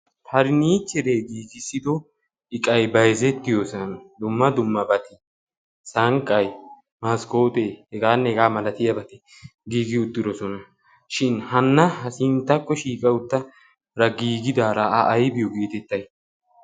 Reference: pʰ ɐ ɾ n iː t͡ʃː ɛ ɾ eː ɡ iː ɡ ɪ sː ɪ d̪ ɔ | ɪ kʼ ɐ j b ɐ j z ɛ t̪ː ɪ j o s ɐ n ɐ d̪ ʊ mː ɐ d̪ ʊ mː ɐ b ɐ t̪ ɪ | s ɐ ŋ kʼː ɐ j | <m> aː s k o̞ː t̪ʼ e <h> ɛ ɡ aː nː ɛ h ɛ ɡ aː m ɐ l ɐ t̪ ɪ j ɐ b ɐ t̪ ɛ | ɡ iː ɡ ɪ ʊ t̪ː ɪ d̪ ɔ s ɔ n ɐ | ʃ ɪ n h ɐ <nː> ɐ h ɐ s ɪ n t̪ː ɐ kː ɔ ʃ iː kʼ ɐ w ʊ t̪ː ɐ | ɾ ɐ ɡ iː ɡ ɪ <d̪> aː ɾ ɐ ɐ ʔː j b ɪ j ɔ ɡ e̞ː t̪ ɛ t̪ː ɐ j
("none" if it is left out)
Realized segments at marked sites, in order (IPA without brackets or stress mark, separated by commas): m, h, nː, d̪